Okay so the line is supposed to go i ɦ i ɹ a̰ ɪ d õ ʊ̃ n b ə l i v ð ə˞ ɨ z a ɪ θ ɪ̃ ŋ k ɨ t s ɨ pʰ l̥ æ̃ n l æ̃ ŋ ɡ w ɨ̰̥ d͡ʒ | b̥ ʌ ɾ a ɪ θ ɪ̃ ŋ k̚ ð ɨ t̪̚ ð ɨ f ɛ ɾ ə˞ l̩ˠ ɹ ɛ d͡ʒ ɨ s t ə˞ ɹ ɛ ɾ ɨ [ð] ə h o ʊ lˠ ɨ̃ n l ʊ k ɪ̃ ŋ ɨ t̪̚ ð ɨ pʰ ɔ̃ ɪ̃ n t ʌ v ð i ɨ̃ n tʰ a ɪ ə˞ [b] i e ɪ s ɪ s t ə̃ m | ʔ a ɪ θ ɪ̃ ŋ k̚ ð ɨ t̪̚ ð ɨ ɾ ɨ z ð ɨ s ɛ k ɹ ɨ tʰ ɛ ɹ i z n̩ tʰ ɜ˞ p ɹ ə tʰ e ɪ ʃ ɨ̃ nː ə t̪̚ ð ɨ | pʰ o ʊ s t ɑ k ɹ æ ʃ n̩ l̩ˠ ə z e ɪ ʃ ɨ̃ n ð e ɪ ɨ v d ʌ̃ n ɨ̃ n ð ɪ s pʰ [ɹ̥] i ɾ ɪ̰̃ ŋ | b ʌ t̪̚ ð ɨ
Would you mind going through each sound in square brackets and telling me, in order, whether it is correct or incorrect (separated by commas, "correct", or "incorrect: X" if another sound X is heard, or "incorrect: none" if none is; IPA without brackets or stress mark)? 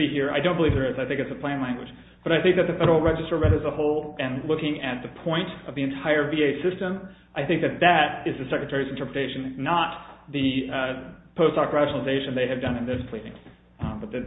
incorrect: z, incorrect: v, incorrect: l̥